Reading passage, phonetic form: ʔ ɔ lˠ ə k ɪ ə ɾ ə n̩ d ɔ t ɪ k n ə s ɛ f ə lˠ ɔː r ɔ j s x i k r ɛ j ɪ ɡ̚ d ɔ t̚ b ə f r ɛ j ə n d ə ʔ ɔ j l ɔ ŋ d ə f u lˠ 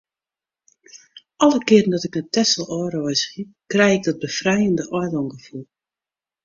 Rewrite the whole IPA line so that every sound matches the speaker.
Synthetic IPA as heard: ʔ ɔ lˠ ə k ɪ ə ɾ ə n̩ d ɔ t ɪ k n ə t ɛ s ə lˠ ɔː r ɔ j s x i k r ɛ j ɪ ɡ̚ d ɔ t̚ b ə f r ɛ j ə n d ə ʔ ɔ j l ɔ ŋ ɡ ə f u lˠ